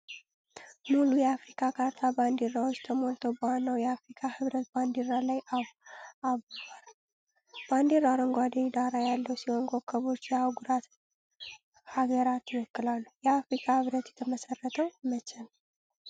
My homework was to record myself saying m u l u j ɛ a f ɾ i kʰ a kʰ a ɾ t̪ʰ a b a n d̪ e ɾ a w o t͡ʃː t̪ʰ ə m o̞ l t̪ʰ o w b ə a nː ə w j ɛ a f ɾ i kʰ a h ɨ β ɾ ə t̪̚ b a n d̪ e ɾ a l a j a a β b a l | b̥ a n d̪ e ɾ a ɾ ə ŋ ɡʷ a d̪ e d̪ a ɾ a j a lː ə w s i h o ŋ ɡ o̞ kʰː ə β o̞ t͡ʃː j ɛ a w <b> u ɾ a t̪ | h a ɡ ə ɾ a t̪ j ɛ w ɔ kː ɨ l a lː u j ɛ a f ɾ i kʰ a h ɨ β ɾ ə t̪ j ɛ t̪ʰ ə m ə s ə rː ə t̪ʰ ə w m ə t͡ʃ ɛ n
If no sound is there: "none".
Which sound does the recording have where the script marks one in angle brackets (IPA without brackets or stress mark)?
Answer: ɡ